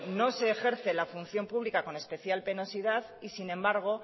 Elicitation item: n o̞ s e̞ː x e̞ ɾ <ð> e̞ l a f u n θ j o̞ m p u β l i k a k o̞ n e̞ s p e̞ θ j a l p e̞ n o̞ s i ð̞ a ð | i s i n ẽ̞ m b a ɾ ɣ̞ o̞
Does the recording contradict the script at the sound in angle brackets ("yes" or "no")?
yes